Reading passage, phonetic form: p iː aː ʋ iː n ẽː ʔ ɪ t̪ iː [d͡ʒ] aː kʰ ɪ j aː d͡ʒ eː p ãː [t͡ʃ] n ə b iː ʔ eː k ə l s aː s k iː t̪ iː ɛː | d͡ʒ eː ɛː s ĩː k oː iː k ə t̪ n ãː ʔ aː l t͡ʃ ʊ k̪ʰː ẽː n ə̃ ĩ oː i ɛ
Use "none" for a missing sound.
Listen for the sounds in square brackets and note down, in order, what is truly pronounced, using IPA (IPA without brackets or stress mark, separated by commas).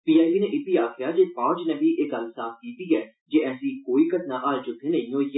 none, t͡ʃ